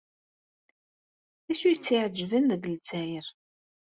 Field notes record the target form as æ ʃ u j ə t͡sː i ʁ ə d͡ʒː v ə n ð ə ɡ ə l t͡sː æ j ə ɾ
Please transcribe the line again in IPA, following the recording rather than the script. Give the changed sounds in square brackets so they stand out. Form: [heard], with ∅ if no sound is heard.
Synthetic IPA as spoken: æ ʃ u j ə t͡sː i [ʕ] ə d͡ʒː v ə n ð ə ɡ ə l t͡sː æ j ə ɾ